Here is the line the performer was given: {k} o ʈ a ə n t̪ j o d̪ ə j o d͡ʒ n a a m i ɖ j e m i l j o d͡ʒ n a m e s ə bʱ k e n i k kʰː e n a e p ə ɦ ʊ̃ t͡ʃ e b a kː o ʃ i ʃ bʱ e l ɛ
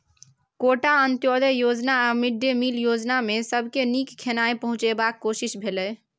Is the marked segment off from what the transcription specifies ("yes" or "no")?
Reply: no